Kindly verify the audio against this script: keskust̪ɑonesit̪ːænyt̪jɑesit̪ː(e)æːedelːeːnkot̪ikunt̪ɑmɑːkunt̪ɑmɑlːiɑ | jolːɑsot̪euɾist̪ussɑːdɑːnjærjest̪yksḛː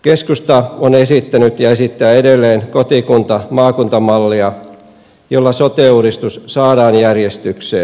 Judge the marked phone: incorrect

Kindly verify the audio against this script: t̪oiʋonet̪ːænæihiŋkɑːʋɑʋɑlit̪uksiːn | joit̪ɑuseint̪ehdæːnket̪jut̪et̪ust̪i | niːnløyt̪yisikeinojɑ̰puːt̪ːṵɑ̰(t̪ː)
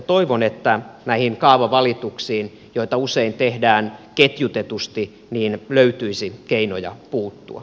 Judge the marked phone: incorrect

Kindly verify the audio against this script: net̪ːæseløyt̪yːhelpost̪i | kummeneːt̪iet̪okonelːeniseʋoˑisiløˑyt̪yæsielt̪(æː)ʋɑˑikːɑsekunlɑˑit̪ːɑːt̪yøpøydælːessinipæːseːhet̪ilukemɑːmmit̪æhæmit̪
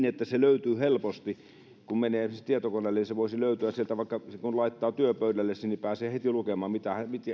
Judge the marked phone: incorrect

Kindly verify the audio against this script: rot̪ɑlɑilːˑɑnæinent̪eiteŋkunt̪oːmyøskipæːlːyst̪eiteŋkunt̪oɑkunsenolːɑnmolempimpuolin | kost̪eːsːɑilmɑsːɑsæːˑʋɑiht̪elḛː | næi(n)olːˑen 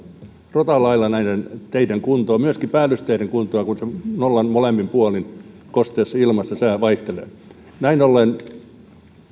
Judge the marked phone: correct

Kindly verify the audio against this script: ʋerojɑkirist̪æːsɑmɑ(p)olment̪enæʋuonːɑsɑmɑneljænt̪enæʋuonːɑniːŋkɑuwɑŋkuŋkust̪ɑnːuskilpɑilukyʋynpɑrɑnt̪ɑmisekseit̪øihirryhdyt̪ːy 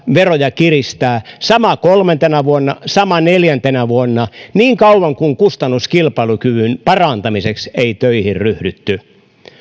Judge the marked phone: incorrect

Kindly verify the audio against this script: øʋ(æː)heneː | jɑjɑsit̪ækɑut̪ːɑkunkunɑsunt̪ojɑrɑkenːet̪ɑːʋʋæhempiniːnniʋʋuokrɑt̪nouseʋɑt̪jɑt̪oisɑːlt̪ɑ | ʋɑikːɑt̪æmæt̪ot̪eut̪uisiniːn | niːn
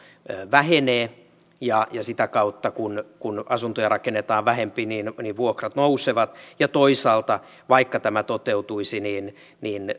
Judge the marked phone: incorrect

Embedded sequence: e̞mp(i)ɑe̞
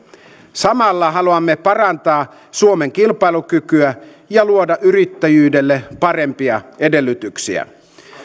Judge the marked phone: correct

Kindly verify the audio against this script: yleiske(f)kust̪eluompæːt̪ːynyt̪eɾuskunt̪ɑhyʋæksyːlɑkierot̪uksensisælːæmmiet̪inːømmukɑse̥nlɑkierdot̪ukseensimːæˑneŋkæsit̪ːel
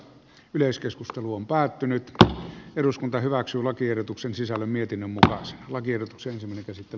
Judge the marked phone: incorrect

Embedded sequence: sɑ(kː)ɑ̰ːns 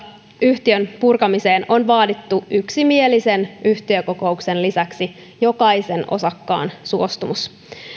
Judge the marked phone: correct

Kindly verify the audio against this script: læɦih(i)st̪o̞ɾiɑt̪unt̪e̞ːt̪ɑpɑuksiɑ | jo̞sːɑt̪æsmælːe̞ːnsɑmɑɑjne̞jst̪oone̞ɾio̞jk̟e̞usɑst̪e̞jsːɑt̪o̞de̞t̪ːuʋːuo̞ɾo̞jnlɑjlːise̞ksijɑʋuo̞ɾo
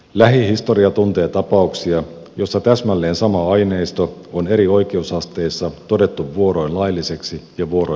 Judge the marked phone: correct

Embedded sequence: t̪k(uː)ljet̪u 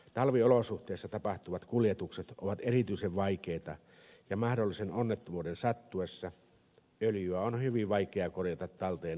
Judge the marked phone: incorrect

